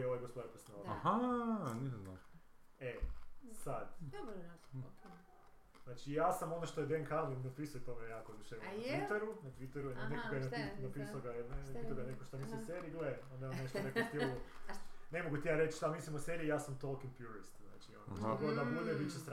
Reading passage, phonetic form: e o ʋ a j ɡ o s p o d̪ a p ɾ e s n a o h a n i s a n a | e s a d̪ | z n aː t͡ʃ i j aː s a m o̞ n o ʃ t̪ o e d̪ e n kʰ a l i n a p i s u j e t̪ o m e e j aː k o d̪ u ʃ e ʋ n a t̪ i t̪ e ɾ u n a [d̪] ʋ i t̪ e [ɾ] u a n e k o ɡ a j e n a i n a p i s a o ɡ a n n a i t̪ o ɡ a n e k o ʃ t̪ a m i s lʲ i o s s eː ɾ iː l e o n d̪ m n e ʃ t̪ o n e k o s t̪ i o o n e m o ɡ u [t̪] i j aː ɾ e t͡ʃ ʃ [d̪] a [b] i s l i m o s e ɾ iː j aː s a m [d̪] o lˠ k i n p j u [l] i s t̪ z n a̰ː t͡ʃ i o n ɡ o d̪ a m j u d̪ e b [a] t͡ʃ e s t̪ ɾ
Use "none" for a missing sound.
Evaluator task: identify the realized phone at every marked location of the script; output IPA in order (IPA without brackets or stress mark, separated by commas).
t̪, ɾ, t̪, t̪, m, t̪, ɾ, i